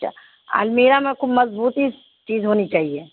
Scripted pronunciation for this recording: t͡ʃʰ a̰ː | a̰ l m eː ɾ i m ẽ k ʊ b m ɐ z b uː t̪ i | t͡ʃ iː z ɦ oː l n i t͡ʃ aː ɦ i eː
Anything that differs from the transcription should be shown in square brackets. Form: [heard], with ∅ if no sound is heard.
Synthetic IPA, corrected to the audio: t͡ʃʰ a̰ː | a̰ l m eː ɾ [a] m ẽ k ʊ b m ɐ z b uː t̪ i | t͡ʃ iː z ɦ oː [∅] n i t͡ʃ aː ɦ i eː

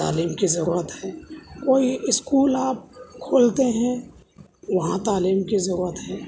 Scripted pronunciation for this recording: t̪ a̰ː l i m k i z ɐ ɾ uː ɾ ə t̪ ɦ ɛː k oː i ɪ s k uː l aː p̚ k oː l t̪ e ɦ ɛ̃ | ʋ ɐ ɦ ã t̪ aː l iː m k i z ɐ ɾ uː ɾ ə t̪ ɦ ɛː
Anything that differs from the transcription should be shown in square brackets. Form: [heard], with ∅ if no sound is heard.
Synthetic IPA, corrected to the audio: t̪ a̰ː l [iː] m k i z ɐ ɾ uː ɾ ə t̪ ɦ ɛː k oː i ɪ s k uː l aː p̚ [kʰ] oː l t̪ e ɦ ɛ̃ | ʋ ɐ ɦ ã t̪ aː l iː m k i z ɐ ɾ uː ɾ ə t̪ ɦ ɛː

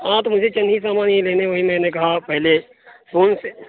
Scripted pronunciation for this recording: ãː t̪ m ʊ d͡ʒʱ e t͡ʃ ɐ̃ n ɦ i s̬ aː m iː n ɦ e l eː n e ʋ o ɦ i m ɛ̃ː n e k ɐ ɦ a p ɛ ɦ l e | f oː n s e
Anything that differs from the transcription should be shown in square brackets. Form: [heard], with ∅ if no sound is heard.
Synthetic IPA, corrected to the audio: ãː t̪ m ʊ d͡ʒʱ e t͡ʃ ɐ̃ n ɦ i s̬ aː m [aː] n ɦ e l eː n e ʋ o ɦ i m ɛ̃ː n e k ɐ ɦ a p ɛ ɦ l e | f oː n s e

